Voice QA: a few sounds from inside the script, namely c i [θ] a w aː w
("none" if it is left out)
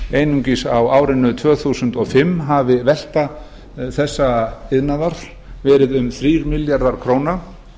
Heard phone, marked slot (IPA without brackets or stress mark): s